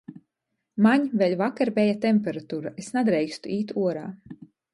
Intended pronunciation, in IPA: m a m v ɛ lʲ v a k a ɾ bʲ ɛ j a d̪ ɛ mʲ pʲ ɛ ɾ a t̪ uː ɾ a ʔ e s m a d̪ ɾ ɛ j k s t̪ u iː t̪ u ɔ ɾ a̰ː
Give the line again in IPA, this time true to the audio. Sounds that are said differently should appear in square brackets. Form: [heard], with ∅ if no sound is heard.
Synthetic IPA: m a [ɲ] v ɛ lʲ v a k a ɾ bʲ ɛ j a [t̪] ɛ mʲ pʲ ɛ ɾ a t̪ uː ɾ a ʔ e s [n] a d̪ ɾ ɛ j k s t̪ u iː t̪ u ɔ ɾ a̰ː